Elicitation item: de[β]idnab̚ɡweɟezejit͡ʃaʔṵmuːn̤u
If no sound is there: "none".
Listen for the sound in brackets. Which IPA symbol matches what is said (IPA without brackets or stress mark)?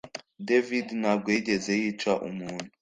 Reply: v